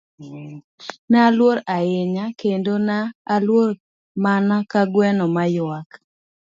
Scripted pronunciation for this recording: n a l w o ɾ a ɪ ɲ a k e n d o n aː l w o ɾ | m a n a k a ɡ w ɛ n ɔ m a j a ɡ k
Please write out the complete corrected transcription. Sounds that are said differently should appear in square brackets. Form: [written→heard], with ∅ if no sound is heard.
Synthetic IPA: n a l w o ɾ a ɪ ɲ a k e n d o n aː l w o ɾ | m a n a k a ɡ w ɛ n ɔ m a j a [ɡ→∅] k